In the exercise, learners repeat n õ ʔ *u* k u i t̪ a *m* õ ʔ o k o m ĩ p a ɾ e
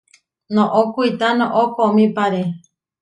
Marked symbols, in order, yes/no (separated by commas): no, no